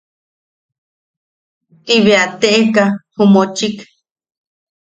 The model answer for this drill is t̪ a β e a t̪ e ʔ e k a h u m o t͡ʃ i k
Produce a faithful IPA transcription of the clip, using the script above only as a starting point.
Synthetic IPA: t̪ i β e a t̪ e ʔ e k a h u m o t͡ʃ i k